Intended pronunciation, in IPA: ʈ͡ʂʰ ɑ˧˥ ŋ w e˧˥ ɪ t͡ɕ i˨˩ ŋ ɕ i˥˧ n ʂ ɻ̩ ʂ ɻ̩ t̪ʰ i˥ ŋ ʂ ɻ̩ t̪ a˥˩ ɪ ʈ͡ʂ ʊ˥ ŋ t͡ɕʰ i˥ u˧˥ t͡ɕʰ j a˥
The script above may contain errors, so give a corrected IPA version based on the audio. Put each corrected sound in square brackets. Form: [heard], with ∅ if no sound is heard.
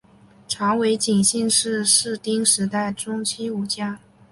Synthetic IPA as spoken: ʈ͡ʂʰ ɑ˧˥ ŋ w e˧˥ ɪ t͡ɕ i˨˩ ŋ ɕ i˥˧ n ʂ ɻ̩ ʂ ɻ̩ [t̪] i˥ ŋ ʂ ɻ̩ t̪ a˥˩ ɪ ʈ͡ʂ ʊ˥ ŋ t͡ɕʰ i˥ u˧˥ [t͡ɕ] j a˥